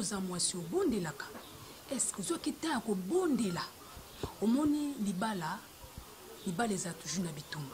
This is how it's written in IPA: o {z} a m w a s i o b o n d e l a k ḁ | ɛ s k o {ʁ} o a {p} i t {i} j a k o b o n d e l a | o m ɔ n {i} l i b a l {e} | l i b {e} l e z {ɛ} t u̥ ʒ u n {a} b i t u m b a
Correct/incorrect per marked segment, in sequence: correct, incorrect: z, incorrect: k, incorrect: a, correct, incorrect: a, incorrect: a, incorrect: a, correct

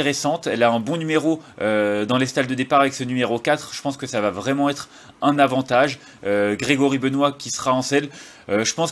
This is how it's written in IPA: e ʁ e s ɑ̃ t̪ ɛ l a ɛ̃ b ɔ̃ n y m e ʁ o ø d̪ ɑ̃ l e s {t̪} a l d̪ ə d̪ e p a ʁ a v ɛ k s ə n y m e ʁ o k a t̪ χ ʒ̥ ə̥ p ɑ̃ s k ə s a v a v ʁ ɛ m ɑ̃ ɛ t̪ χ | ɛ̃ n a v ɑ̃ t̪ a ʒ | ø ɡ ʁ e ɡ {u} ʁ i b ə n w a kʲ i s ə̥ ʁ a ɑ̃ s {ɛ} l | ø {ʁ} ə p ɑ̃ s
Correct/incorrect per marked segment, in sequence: correct, incorrect: ɔ, correct, incorrect: ʒ

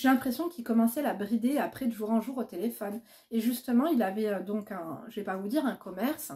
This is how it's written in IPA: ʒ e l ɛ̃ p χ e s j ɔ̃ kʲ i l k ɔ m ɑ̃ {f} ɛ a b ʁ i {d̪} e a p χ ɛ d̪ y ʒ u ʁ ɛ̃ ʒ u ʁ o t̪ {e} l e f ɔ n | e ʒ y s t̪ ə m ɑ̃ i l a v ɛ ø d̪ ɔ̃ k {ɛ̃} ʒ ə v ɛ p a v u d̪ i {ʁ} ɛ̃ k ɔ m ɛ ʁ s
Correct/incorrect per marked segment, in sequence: incorrect: s, correct, correct, correct, correct

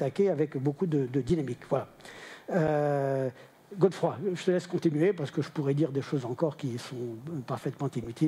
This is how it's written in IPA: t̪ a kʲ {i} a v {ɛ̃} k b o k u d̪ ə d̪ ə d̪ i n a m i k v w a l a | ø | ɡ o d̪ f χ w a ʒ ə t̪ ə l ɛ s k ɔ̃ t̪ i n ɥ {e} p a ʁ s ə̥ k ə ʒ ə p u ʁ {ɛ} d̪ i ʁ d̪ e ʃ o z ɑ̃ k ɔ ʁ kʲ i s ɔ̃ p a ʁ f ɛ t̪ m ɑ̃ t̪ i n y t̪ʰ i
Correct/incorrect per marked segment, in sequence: incorrect: e, incorrect: ɛ, correct, correct

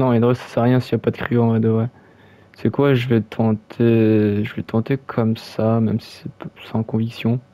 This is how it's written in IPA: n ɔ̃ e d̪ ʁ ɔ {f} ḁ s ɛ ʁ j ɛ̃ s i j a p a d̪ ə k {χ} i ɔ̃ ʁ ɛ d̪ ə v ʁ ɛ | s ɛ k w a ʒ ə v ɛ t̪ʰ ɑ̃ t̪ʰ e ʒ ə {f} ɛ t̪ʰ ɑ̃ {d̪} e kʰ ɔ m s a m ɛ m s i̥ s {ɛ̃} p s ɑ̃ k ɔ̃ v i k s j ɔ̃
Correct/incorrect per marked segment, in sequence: incorrect: s, correct, incorrect: v, incorrect: t̪, incorrect: ɛ

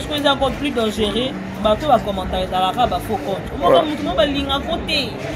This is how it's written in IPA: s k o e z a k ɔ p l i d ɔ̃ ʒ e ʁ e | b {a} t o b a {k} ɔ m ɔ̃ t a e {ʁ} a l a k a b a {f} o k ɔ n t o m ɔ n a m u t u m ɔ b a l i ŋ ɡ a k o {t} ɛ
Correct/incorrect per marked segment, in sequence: correct, correct, incorrect: z, correct, correct

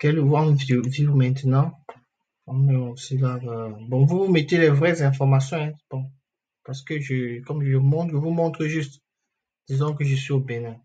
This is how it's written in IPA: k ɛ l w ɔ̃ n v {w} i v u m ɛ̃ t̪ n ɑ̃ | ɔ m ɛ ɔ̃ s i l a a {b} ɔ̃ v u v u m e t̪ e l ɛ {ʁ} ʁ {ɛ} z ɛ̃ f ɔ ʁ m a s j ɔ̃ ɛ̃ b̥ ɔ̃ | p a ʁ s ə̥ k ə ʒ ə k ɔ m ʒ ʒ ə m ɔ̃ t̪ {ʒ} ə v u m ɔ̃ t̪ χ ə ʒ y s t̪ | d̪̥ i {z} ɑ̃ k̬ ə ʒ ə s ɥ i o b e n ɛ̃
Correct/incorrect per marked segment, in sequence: incorrect: v, correct, incorrect: v, correct, correct, correct

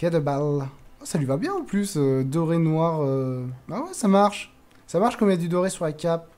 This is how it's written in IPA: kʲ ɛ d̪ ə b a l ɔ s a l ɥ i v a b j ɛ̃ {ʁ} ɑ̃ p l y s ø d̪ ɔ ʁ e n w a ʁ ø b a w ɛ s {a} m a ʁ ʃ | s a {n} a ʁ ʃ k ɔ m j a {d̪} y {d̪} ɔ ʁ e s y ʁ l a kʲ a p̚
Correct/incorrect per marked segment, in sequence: incorrect: none, correct, incorrect: m, correct, correct

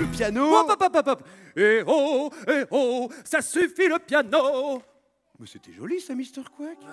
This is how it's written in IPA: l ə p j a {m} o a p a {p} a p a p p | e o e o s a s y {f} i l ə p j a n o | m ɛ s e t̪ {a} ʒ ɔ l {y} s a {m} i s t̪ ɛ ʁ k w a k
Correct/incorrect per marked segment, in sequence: incorrect: n, correct, correct, incorrect: ɛ, incorrect: i, correct

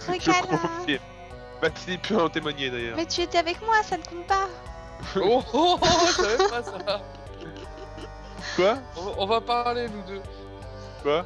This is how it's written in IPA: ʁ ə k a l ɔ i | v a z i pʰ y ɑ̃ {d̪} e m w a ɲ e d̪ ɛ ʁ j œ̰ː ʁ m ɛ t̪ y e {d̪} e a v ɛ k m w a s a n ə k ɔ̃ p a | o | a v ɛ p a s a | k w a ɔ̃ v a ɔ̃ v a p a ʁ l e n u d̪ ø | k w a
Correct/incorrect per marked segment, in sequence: incorrect: t̪, incorrect: t̪

